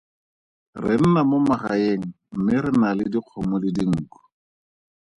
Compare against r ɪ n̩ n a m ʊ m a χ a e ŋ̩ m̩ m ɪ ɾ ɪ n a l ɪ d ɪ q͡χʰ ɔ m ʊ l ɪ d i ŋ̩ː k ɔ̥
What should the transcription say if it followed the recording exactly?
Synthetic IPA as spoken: r ɪ n̩ n a m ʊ m a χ a e ŋ̩ m̩ m ɪ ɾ ɪ n a l ɪ d i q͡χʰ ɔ m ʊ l ɪ d i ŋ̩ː k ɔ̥